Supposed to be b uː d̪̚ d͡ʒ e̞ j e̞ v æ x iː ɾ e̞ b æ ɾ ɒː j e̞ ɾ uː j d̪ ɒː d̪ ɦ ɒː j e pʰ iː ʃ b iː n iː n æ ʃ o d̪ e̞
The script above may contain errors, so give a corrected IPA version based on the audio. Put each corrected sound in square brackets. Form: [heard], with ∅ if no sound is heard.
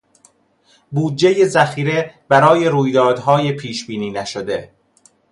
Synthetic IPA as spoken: b uː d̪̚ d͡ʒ e̞ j e̞ [z] æ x iː ɾ e̞ b æ ɾ ɒː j e̞ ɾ uː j d̪ ɒː d̪ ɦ ɒː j e pʰ iː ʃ b iː n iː n æ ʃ o d̪ e̞